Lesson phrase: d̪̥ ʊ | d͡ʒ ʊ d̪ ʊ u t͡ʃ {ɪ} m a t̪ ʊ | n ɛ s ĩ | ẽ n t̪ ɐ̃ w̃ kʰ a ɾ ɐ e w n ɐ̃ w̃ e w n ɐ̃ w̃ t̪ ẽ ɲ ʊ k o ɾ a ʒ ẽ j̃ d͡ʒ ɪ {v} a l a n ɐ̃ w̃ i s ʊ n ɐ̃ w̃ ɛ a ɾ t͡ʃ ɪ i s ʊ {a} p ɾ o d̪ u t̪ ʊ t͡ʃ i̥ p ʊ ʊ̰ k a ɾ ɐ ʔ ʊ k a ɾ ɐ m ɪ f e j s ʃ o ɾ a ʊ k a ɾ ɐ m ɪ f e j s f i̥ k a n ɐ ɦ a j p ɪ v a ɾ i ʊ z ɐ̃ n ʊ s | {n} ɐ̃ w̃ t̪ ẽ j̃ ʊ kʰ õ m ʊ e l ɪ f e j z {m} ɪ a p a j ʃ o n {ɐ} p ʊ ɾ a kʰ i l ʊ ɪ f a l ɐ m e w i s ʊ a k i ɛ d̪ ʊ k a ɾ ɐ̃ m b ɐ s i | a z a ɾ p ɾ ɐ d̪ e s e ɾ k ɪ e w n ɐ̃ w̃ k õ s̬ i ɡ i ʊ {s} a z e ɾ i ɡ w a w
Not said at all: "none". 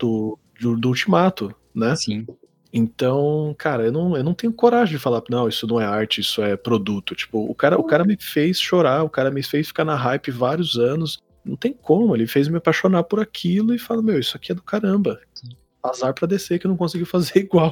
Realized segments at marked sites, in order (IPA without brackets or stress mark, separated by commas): i, f, ɛ, n, m, a, f